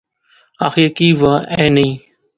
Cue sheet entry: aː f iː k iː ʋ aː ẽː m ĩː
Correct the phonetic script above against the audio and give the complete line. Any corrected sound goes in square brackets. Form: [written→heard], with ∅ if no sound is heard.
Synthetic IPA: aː [f→x] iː k iː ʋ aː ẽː [m→n] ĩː